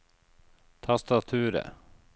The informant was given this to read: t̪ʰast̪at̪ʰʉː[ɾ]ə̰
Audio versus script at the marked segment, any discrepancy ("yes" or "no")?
no